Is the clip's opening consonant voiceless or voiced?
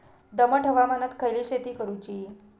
voiced